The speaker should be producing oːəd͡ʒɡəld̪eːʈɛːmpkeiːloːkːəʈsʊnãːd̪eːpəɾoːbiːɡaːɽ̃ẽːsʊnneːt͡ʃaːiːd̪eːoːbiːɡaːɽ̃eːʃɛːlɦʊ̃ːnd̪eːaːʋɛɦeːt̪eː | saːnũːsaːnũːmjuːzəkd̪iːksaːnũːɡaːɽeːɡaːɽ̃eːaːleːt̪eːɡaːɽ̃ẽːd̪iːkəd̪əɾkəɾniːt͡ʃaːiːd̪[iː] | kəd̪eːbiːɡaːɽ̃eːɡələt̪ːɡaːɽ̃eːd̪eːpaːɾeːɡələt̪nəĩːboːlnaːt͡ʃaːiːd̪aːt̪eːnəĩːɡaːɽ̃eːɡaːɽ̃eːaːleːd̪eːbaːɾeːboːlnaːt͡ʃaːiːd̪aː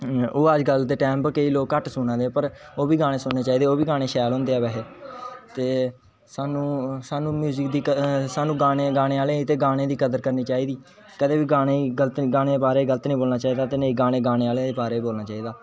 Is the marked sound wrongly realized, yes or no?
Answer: no